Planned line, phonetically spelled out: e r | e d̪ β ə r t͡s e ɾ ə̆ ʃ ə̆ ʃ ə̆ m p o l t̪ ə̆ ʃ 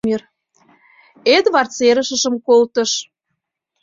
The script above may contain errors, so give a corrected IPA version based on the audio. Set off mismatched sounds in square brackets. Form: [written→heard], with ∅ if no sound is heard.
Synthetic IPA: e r | e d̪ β [ə→ɑ] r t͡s e ɾ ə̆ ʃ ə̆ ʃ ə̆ m [p→k] o l t̪ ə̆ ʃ